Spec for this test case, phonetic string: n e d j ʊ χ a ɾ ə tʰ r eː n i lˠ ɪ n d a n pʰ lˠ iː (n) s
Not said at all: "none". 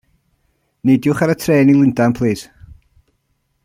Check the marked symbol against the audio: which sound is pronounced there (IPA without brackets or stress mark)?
none